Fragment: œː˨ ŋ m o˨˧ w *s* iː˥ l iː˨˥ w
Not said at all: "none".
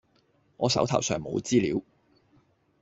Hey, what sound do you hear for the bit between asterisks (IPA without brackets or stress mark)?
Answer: t͡s